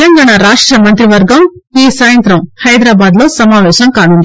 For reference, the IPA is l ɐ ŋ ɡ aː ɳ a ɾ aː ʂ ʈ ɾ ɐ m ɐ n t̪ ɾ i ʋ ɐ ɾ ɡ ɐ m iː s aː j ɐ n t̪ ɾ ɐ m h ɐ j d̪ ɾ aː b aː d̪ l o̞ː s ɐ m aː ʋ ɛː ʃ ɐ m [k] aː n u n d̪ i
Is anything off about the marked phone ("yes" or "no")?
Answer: no